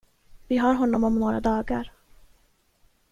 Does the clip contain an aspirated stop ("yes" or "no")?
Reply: no